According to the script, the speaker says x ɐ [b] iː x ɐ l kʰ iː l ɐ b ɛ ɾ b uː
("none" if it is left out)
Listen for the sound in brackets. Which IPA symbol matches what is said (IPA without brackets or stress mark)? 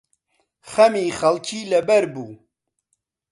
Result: m